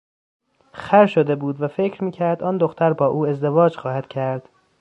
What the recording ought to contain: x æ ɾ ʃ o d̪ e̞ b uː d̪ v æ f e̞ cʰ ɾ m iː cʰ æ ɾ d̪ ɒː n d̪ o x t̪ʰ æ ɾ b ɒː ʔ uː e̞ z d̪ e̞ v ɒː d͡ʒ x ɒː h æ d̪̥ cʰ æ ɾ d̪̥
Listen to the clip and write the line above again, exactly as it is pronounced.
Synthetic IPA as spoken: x æ ɾ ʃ o d̪ e̞ b uː d̪ v æ f e̞ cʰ ɾ m iː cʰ æ ɾ d̪ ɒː n d̪ o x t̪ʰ æ ɾ b ɒː ʔ uː e̞ z d̪ e̞ v ɒː d͡ʒ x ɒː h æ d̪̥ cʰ æ ɾ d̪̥